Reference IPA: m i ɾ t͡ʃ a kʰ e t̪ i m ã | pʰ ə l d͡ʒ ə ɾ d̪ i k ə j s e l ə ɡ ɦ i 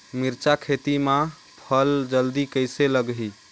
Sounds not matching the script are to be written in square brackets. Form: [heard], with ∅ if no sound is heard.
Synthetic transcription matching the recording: m i ɾ t͡ʃ a kʰ e t̪ i m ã | pʰ ə l d͡ʒ ə [l] d̪ i k ə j s e l ə ɡ ɦ i